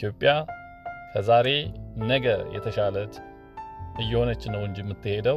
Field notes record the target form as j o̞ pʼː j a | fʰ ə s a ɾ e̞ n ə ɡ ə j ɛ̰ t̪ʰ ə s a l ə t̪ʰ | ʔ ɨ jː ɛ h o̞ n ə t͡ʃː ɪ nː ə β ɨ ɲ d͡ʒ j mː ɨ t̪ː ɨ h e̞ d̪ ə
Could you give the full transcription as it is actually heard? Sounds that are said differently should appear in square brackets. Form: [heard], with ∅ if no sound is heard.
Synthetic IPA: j o̞ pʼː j a | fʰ ə [z] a ɾ e̞ n ə ɡ ə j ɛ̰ t̪ʰ ə [ʃ] a l ə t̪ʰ | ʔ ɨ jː ɛ h o̞ n ə t͡ʃː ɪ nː ə [w] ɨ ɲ d͡ʒ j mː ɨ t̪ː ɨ h e̞ d̪ ə